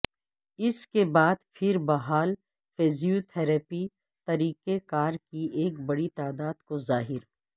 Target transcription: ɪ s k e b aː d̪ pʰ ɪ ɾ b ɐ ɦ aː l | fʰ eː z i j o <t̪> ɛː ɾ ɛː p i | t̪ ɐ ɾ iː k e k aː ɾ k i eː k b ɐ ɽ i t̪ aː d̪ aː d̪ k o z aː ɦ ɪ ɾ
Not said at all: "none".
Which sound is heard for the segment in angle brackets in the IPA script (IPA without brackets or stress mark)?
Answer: t̪ʰ